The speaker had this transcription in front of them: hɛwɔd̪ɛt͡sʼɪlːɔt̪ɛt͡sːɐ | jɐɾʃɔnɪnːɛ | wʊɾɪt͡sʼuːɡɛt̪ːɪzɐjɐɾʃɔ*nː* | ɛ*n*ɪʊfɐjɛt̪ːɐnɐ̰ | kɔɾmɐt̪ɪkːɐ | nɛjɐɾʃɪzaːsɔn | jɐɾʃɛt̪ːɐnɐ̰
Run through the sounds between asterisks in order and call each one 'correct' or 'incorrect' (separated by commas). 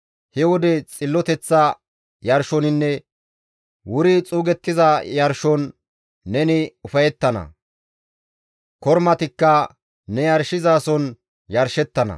correct, correct